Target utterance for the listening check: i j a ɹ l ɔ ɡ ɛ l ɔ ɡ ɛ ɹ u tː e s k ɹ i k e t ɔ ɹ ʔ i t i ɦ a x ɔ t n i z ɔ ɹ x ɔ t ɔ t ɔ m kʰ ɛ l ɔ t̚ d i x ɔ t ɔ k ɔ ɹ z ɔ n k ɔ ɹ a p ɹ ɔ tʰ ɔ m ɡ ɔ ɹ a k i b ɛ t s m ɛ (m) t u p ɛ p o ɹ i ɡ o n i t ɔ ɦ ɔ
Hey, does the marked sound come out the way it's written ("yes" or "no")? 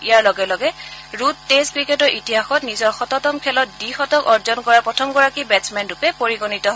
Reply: no